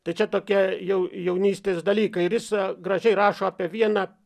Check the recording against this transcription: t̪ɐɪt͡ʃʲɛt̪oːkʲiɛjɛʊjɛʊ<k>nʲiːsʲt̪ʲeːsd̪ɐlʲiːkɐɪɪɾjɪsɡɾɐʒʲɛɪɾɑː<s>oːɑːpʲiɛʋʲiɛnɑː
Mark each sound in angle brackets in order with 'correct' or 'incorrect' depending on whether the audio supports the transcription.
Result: incorrect: none, incorrect: ʃ

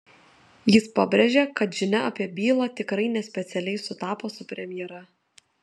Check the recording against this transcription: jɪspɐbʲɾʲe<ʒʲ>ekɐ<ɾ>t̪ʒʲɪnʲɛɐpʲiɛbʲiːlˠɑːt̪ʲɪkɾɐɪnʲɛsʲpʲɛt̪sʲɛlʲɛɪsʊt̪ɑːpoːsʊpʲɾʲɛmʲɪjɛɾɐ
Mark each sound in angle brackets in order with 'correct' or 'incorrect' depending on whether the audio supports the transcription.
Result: correct, incorrect: none

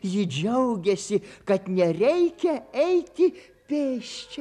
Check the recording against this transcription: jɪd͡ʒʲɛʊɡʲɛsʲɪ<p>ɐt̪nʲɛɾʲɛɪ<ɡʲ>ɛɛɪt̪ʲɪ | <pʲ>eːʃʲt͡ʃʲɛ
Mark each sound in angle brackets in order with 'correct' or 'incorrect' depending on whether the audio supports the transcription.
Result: incorrect: k, incorrect: kʲ, correct

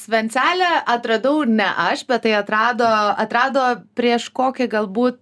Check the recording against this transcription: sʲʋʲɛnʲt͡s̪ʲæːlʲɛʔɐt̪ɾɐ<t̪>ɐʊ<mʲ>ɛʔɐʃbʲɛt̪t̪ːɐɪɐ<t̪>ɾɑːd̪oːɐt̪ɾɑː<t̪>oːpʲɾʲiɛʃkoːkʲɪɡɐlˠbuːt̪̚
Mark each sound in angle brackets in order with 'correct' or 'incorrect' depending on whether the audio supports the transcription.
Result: incorrect: d̪, incorrect: nʲ, correct, incorrect: d̪

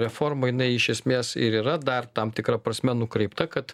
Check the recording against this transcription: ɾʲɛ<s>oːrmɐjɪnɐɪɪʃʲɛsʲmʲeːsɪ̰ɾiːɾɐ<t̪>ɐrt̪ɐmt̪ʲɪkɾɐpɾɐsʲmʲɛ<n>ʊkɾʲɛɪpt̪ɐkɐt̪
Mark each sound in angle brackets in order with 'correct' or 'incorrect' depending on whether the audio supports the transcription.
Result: incorrect: f, incorrect: d̪, correct

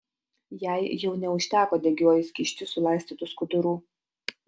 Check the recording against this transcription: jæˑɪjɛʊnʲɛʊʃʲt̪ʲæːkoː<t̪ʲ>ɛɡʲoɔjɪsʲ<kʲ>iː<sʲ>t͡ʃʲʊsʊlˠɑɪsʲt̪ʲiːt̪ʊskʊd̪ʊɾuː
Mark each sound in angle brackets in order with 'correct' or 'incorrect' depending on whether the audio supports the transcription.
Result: incorrect: d̪ʲ, correct, incorrect: ʃʲ

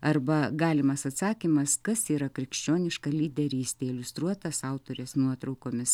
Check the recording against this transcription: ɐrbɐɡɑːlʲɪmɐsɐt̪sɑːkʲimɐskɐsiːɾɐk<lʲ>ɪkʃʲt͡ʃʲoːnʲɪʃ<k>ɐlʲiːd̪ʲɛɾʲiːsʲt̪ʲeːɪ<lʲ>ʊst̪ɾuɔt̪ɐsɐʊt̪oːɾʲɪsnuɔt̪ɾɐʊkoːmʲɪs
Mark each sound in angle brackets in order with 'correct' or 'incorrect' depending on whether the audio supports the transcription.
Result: incorrect: ɾʲ, correct, correct

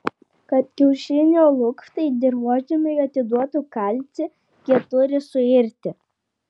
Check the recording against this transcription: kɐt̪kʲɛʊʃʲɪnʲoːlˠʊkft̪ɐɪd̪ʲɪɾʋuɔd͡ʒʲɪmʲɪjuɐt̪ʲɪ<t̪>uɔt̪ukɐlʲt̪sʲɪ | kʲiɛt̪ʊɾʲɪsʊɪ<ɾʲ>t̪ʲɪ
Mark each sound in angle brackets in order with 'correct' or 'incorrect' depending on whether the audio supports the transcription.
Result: incorrect: d̪, correct

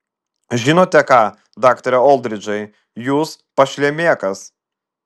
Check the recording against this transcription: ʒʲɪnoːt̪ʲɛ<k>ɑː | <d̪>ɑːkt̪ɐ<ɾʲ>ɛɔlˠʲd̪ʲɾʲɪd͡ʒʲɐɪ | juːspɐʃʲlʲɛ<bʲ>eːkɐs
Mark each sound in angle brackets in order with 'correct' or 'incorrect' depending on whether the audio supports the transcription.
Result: correct, correct, correct, incorrect: mʲ

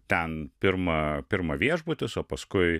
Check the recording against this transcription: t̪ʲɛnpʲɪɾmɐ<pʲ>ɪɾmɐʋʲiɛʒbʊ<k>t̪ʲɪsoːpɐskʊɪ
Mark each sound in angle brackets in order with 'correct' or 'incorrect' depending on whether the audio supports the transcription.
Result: correct, incorrect: none

